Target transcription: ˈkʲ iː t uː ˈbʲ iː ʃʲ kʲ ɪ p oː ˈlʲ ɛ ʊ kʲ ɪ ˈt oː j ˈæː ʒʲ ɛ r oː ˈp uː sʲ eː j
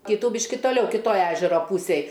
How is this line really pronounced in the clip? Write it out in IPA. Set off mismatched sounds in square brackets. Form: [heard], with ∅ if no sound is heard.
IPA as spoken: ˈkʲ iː t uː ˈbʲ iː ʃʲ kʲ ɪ [t] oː ˈlʲ ɛ ʊ kʲ ɪ ˈt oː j ˈæː ʒʲ ɛ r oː ˈp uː sʲ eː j